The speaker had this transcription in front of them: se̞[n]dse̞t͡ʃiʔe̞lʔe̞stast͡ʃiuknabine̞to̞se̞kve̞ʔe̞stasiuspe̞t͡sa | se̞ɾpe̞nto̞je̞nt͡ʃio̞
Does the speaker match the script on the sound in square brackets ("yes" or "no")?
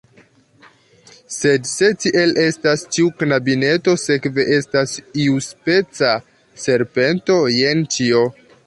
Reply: no